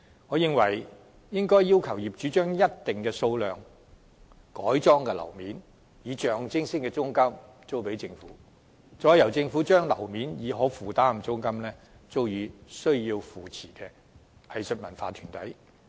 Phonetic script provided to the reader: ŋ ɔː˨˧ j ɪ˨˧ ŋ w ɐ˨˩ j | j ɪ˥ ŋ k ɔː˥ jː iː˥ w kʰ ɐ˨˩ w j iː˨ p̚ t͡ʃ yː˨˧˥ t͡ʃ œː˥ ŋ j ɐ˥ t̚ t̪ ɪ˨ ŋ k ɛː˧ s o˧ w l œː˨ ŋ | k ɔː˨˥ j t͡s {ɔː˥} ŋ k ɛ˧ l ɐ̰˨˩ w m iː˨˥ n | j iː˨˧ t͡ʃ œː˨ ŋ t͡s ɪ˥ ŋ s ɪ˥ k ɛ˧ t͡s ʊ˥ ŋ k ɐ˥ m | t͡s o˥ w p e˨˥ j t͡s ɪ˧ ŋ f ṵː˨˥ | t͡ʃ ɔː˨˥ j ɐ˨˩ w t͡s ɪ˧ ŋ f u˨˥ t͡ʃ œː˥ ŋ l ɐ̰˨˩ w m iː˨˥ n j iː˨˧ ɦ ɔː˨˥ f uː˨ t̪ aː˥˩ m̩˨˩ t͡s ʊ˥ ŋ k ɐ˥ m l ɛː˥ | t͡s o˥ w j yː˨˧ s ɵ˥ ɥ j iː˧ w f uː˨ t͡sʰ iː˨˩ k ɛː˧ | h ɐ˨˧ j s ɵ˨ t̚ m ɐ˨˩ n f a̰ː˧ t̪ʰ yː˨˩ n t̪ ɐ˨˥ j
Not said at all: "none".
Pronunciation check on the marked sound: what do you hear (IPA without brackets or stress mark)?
ɔː˥